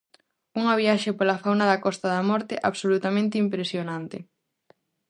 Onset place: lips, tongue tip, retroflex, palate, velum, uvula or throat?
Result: velum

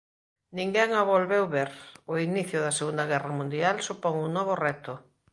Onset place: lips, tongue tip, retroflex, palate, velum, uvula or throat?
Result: tongue tip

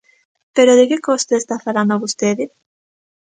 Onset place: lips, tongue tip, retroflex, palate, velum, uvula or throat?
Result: lips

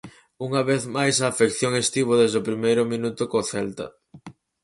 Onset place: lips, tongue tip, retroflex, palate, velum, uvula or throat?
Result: velum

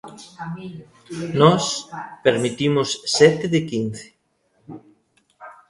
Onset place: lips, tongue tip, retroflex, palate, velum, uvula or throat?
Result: tongue tip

